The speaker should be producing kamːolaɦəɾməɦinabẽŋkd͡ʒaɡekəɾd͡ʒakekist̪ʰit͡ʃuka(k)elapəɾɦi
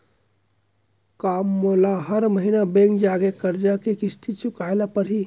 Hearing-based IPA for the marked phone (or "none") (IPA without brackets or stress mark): none